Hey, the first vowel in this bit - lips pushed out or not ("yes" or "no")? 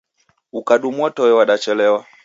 yes